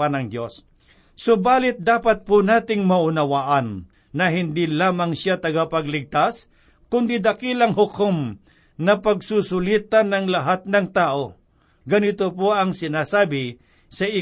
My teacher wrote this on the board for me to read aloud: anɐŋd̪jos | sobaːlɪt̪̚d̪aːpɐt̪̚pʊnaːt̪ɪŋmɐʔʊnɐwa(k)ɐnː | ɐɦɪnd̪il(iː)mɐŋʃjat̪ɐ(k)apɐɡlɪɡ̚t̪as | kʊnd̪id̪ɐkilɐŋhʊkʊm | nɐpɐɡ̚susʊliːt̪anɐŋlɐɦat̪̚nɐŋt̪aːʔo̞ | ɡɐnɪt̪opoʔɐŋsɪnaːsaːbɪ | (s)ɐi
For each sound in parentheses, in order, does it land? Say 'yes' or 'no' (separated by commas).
no, no, no, yes